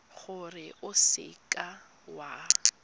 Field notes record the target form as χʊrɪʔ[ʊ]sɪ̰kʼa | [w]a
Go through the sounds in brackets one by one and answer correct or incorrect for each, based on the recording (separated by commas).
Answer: correct, correct